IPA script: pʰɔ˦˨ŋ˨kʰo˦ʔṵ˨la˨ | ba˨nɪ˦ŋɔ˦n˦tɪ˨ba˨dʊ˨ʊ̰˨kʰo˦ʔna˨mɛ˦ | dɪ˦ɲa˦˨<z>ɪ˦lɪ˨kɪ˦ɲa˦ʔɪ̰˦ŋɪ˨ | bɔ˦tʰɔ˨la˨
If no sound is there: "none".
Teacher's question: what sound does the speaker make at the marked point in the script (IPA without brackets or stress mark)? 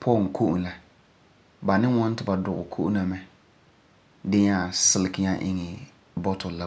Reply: s